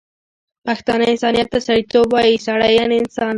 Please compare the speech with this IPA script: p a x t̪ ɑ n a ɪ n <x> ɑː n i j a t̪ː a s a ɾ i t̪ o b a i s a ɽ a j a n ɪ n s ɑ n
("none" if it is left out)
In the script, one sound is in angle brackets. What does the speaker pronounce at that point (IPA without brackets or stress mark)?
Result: s